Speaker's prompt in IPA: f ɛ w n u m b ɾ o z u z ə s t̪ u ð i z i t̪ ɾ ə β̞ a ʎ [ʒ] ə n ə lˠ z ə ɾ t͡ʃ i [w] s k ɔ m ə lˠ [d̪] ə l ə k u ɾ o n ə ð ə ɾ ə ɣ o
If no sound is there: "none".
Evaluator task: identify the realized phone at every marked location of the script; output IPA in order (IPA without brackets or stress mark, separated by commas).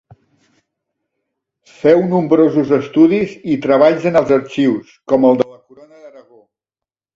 z, w, d̪